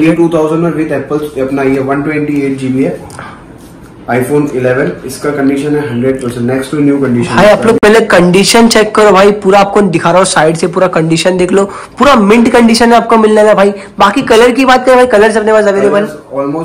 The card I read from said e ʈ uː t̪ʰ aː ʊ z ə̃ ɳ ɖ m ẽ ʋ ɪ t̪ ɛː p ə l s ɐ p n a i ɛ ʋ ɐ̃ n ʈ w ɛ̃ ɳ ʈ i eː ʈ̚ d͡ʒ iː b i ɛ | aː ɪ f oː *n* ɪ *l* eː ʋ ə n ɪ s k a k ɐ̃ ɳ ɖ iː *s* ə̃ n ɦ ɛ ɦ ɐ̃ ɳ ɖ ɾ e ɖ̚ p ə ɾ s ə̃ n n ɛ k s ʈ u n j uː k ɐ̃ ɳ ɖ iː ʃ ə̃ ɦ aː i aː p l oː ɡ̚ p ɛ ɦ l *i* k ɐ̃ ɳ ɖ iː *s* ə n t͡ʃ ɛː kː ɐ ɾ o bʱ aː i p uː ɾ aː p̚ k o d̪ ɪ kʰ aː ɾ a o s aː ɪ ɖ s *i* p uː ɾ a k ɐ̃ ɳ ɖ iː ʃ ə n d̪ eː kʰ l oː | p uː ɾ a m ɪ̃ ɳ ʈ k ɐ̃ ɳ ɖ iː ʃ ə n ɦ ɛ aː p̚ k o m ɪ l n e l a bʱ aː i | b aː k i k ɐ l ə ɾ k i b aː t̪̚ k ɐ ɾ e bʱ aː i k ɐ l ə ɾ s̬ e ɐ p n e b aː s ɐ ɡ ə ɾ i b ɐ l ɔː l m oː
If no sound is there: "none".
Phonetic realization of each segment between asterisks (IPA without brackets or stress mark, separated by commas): n, l, ʃ, e, ʃ, e